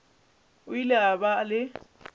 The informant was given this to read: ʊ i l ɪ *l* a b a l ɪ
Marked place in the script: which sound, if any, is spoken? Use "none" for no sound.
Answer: none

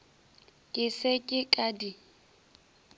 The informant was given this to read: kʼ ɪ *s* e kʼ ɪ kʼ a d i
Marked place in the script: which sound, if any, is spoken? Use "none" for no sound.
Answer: s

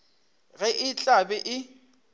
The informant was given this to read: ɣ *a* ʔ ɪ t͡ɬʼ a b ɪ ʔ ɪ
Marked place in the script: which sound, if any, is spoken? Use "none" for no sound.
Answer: ɛ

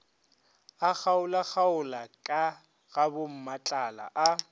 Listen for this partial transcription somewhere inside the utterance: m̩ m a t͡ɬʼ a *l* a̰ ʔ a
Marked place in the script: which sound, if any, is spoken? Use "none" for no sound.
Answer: l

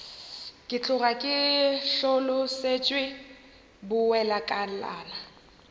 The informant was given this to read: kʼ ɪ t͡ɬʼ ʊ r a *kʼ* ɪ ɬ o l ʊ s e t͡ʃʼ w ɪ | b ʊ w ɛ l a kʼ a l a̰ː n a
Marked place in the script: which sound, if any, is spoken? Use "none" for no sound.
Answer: kʼ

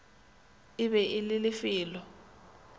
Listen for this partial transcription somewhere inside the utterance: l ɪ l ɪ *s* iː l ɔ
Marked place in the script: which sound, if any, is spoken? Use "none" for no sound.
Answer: f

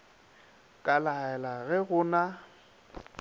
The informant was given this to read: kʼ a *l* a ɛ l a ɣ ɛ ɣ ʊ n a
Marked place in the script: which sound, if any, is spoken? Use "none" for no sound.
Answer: l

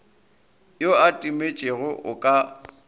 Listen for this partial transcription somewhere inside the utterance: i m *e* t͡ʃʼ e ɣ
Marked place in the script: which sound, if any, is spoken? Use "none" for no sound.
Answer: e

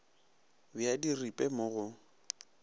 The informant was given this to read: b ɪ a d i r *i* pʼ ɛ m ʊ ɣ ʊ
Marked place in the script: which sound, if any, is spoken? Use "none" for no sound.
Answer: i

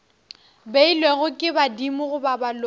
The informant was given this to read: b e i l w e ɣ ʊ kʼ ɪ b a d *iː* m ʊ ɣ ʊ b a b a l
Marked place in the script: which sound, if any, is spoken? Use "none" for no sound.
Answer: i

